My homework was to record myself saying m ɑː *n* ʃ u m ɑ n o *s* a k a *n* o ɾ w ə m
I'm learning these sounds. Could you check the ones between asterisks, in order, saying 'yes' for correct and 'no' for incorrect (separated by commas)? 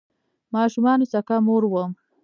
no, yes, no